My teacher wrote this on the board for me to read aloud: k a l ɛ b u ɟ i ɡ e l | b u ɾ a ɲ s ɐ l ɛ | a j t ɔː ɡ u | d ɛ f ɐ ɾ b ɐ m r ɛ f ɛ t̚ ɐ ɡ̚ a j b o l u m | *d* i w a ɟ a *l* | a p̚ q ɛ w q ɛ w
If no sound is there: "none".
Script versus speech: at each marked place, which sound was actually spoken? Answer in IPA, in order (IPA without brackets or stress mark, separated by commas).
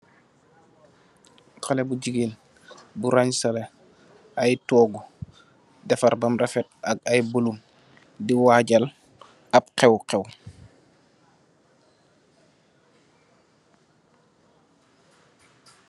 d, l